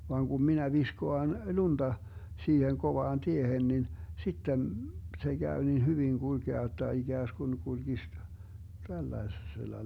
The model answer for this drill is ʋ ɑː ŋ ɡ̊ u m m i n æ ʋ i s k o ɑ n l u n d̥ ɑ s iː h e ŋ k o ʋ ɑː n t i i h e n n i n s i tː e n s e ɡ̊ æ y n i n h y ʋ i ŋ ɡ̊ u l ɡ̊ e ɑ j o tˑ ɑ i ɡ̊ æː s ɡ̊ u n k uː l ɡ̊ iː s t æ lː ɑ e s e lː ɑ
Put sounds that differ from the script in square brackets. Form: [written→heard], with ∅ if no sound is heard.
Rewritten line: ʋ ɑː ŋ ɡ̊ u m m i n æ ʋ i s k o ɑ n l u n d̥ ɑ s iː h e ŋ k o ʋ ɑː n t i [i→e] h e n n i n s i tː e n s e ɡ̊ æ y n i n h y ʋ i ŋ ɡ̊ u l ɡ̊ e ɑ j o tˑ ɑ i ɡ̊ æː s ɡ̊ u n k [uː→u] l ɡ̊ [iː→i] s t æ lː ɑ e s e lː ɑ